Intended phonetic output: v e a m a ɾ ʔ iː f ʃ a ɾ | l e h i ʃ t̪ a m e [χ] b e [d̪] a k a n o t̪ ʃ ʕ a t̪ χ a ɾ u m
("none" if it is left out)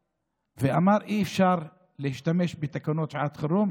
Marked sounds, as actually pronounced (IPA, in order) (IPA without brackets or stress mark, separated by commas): ʃ, t̪